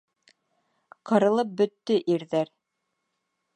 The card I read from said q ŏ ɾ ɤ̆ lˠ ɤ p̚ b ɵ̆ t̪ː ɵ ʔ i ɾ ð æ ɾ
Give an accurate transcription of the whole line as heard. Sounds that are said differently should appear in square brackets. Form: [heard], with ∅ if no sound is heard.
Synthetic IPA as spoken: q [ɤ̆] ɾ ɤ̆ lˠ ɤ p̚ b ɵ̆ t̪ː ɵ ʔ i ɾ ð æ ɾ